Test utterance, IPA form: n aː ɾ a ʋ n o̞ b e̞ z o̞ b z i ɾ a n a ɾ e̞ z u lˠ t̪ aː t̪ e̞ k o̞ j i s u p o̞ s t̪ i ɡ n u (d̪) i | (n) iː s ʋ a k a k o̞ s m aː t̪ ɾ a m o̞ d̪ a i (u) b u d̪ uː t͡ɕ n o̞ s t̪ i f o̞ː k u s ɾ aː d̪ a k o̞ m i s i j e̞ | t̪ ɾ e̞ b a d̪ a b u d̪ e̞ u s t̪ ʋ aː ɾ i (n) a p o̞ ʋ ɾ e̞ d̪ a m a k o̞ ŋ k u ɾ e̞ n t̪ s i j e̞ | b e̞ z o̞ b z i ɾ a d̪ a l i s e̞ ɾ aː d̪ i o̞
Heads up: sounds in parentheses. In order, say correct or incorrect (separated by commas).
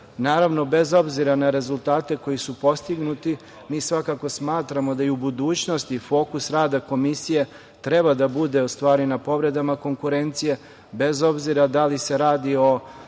incorrect, incorrect, correct, correct